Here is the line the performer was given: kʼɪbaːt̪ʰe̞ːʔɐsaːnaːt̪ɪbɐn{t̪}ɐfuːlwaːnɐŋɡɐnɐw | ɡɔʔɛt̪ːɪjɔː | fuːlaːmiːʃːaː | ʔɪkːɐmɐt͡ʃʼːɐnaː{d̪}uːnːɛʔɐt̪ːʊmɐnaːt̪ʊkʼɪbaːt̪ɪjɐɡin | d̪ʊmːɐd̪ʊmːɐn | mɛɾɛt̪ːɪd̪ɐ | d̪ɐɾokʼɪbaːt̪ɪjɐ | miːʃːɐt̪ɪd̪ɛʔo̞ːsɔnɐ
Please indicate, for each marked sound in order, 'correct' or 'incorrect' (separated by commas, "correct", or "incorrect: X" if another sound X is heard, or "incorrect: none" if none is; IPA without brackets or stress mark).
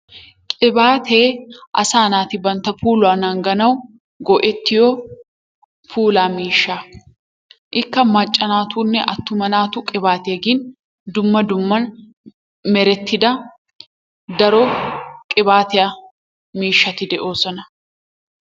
correct, incorrect: t̪